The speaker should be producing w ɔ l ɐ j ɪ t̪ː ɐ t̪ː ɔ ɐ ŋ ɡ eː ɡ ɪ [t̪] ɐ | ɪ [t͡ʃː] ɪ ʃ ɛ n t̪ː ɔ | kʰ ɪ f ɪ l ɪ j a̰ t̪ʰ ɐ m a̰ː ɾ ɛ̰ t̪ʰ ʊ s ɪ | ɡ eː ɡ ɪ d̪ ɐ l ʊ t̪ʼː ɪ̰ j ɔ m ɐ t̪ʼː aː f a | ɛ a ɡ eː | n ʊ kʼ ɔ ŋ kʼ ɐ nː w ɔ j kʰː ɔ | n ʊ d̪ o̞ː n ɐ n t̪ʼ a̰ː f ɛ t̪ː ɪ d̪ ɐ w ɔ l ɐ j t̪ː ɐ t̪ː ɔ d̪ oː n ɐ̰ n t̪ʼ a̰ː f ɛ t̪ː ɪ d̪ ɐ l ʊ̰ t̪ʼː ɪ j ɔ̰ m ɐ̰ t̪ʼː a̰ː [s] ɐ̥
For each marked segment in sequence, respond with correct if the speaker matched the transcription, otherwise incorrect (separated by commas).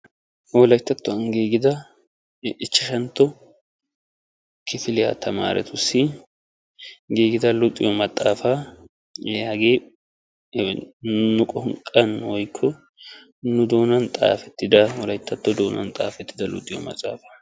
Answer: incorrect, correct, incorrect